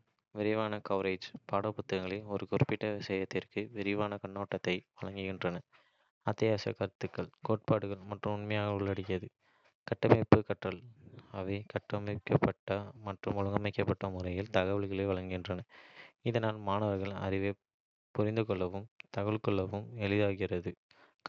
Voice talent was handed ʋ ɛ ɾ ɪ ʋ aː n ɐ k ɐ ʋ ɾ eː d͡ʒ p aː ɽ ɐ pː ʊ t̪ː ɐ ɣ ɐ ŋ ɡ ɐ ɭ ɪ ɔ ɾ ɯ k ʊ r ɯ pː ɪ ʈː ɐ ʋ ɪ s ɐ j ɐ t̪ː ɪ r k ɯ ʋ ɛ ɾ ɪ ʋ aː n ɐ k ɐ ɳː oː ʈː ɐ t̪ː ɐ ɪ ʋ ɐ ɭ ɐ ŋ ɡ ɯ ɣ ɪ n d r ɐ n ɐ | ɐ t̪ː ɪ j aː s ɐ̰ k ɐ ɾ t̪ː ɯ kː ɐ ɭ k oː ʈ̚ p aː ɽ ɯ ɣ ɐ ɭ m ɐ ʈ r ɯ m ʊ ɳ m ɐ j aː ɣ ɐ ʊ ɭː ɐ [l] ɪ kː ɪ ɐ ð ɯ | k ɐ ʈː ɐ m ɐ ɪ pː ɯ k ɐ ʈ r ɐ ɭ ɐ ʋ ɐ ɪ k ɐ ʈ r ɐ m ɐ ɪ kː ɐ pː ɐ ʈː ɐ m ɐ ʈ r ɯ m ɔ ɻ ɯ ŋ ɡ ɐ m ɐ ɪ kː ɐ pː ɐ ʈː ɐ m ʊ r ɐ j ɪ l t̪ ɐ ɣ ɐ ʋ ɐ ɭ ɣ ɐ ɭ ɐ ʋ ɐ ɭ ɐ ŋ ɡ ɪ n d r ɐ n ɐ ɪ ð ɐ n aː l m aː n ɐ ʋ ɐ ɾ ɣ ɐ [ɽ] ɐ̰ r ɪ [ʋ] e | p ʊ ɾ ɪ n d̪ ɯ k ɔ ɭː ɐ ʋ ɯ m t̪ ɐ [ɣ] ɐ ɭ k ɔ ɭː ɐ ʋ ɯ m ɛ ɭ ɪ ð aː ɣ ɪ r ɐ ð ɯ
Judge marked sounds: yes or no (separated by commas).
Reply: no, no, yes, yes